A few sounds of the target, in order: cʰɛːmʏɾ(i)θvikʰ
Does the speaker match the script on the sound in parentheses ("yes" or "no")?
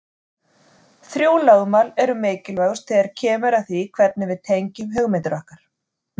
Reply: no